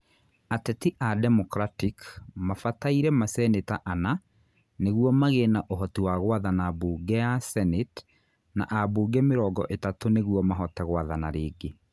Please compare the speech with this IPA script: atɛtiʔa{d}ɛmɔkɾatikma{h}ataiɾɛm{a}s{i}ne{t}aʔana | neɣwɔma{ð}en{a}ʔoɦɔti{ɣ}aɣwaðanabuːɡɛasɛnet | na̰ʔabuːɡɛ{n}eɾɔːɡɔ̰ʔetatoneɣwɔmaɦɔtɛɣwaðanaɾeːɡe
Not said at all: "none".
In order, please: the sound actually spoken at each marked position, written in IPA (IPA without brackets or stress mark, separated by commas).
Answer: d, f, a, ɛ, t, ɣ, a, w, m